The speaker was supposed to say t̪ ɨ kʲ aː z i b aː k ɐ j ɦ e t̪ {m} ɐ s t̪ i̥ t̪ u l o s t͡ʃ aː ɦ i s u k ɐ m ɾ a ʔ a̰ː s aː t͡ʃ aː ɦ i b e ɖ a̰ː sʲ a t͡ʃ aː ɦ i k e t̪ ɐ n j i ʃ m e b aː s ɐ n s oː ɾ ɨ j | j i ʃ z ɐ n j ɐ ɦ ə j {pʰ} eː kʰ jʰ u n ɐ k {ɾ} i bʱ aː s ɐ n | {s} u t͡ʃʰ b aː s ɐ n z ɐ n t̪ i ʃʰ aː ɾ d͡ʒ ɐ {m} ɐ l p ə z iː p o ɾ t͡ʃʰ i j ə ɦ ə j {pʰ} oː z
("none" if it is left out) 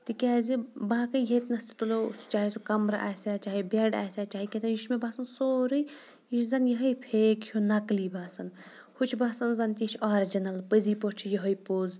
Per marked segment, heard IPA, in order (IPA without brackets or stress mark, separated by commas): n, pʰ, l, h, n, p